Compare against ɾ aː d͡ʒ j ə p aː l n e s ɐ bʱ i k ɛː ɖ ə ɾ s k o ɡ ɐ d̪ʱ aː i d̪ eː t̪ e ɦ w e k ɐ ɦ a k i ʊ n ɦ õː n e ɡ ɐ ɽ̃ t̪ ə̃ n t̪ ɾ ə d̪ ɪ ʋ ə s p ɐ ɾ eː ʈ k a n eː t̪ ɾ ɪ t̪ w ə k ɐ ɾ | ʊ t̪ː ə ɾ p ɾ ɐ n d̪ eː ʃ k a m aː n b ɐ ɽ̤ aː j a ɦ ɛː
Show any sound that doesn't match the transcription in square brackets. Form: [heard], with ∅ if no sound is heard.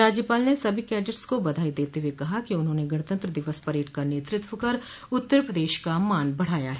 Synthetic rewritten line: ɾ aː d͡ʒ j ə p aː l n e s ɐ bʱ i k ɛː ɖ ə ɾ s k o [b] ɐ d̪ʱ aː i d̪ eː t̪ e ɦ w e k ɐ ɦ a k i ʊ n ɦ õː n e ɡ ɐ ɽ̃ t̪ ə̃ n t̪ ɾ ə d̪ ɪ ʋ ə s p ɐ ɾ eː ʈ k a n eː t̪ ɾ ɪ t̪ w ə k ɐ ɾ | ʊ t̪ː ə ɾ p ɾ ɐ [∅] d̪ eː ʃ k a m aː n b ɐ ɽ̤ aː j a ɦ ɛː

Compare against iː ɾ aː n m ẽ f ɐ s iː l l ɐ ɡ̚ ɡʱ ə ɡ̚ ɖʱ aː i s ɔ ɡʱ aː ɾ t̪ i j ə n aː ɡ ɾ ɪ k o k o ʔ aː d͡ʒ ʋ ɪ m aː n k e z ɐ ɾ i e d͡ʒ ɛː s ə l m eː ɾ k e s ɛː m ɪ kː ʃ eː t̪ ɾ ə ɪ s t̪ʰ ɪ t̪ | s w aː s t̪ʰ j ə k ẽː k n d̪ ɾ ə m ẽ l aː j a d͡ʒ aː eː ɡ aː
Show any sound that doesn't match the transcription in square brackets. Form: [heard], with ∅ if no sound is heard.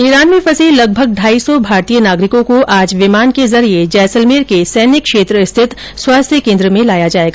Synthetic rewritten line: iː ɾ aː n m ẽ f ɐ s iː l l ɐ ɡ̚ [bʱ] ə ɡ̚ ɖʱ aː i s ɔ [bʱ] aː ɾ t̪ i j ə n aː ɡ ɾ ɪ k [õ] k o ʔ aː d͡ʒ ʋ ɪ m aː n k e z ɐ ɾ i e d͡ʒ ɛː s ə l m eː ɾ k e s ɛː [n] ɪ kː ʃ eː t̪ ɾ ə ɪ s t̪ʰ ɪ t̪ | s w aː s t̪ʰ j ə k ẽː [∅] n d̪ ɾ ə m ẽ l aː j a d͡ʒ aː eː ɡ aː

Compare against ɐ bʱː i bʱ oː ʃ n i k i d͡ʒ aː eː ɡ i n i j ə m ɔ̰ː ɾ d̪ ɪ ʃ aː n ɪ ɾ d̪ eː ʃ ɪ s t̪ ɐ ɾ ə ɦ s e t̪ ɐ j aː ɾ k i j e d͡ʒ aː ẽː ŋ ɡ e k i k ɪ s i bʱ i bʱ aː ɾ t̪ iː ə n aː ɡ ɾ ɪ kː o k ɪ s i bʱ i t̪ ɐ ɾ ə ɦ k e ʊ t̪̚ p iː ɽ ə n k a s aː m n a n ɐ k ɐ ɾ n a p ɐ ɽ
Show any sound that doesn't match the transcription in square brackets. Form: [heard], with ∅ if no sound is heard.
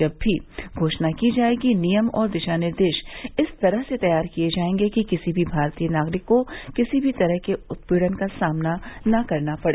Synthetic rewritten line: ɐ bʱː i [ɡʱ] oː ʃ n [a] k i d͡ʒ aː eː ɡ i n i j ə m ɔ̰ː ɾ d̪ ɪ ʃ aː n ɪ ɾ d̪ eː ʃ ɪ s t̪ ɐ ɾ ə ɦ s e t̪ ɐ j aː ɾ k i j e d͡ʒ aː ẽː ŋ ɡ e k i k ɪ s i bʱ i bʱ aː ɾ t̪ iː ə n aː ɡ ɾ ɪ kː o k ɪ s i bʱ i t̪ ɐ ɾ ə ɦ k e ʊ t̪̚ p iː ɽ ə n k a s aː m n a n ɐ k ɐ ɾ n a p ɐ ɽ

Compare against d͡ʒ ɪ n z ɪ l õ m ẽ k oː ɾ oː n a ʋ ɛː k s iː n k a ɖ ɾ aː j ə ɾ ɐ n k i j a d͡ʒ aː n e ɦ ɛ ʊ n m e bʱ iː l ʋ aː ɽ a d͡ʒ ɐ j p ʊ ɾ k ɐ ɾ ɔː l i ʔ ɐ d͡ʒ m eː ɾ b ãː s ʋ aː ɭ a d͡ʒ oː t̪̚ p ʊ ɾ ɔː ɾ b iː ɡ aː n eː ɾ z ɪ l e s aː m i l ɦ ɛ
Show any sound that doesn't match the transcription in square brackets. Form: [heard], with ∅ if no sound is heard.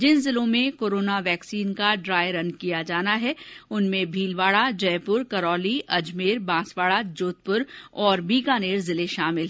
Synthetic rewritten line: d͡ʒ ɪ n z ɪ l õ m ẽ k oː ɾ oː n a ʋ ɛː k s iː n k a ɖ ɾ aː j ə ɾ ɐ n k i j a d͡ʒ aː n [a] ɦ ɛ ʊ n m [ẽ] bʱ iː l ʋ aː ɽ a d͡ʒ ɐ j p ʊ ɾ k ɐ ɾ ɔː l i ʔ ɐ d͡ʒ m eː ɾ b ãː s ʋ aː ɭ a d͡ʒ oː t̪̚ p ʊ ɾ ɔː ɾ b iː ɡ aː n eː ɾ z ɪ l e [ʃ] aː m [ɪ] l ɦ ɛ

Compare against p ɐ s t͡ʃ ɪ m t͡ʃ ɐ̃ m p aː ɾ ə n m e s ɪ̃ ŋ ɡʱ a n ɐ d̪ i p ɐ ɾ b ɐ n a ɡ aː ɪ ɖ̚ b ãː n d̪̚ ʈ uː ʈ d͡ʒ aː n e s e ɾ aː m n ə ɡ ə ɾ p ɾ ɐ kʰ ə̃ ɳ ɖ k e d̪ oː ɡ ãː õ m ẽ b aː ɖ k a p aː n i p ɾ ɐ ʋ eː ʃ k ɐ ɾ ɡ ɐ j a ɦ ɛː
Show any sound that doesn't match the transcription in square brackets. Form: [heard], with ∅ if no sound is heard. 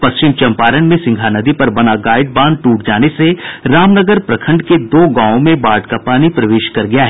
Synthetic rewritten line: p ɐ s t͡ʃ ɪ m t͡ʃ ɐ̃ m p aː ɾ ə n m [ẽ] s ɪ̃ ŋ ɡʱ a n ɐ d̪ i p ɐ ɾ b ɐ n a ɡ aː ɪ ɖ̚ b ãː n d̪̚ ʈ uː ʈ d͡ʒ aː n e s e ɾ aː m n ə ɡ ə ɾ p ɾ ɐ kʰ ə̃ ɳ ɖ k e d̪ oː ɡ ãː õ m ẽ b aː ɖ k a p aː n i p ɾ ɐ ʋ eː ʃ k ɐ ɾ ɡ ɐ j a ɦ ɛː

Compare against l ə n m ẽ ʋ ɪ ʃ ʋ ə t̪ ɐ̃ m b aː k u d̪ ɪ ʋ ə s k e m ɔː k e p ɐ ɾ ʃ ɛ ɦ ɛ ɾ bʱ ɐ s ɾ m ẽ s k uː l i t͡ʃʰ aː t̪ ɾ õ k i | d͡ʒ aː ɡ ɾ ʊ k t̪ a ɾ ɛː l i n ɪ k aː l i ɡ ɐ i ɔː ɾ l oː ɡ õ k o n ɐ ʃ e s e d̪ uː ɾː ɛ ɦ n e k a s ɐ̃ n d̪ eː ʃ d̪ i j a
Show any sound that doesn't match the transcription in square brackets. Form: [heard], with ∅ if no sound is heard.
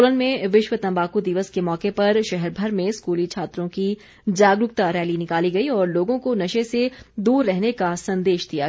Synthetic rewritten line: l ə n m ẽ ʋ ɪ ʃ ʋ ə t̪ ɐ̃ m b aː k u d̪ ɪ ʋ ə s k e m ɔː k e p ɐ ɾ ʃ ɛ ɦ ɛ ɾ bʱ ɐ [∅] ɾ m ẽ s k uː l i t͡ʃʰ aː t̪ ɾ õ k i | d͡ʒ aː ɡ ɾ ʊ k t̪ a ɾ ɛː l i n ɪ k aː l i ɡ ɐ i ɔː ɾ l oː ɡ õ k o n ɐ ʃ e s e d̪ uː ɾː ɛ ɦ n e k a s ɐ̃ n d̪ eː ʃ d̪ i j a

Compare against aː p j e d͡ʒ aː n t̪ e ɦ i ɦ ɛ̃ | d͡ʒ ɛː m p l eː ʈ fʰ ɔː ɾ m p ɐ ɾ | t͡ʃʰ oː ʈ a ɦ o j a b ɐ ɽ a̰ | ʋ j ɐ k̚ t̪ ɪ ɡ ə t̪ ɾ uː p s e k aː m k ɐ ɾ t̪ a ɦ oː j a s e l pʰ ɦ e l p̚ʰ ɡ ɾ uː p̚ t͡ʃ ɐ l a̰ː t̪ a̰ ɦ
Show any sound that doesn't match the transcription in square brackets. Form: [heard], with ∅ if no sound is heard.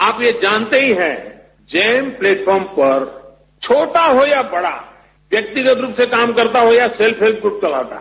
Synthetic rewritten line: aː p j e d͡ʒ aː n t̪ e ɦ i ɦ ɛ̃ | d͡ʒ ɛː m p l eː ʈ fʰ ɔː ɾ m p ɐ ɾ | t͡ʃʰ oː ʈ a ɦ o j a b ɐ ɽ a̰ | ʋ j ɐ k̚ t̪ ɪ ɡ ə t̪ ɾ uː p s e k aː m k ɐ ɾ t̪ a ɦ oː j a s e l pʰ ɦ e l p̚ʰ ɡ ɾ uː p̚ t͡ʃ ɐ l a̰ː t̪ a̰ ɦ

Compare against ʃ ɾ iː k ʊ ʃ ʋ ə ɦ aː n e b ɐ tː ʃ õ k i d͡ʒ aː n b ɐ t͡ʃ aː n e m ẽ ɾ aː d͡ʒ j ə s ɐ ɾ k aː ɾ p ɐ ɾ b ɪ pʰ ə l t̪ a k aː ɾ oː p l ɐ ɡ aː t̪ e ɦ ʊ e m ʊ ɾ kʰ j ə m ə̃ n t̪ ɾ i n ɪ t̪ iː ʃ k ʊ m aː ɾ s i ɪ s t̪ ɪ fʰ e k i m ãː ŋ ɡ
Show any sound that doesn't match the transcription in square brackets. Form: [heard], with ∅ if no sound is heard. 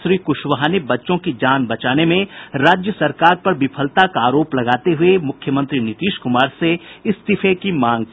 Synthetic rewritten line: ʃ ɾ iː k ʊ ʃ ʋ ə ɦ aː n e b ɐ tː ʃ õ k i d͡ʒ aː n b ɐ t͡ʃ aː n e m ẽ ɾ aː d͡ʒ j ə s ɐ ɾ k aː ɾ p ɐ ɾ b ɪ pʰ ə l t̪ a k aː ɾ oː p l ɐ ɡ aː t̪ e ɦ ʊ e m ʊ [∅] kʰ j ə m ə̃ n t̪ ɾ i n ɪ t̪ iː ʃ k ʊ m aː ɾ s [e] ɪ s t̪ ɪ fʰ e k i m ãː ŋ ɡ

